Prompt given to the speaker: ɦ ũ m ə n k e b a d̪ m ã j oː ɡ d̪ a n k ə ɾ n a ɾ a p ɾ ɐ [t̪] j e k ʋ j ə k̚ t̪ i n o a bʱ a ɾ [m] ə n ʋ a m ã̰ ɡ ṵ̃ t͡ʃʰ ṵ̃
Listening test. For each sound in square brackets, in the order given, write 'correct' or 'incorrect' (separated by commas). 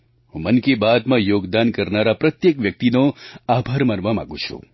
correct, correct